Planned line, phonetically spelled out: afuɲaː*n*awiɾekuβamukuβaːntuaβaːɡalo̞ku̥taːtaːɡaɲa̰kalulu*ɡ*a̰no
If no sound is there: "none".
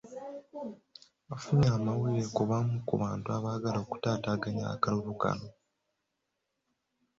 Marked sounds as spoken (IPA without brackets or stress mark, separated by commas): m, k